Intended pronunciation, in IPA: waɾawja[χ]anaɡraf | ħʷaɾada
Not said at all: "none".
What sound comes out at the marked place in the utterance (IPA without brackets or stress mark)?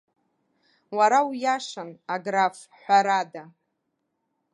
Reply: ʂ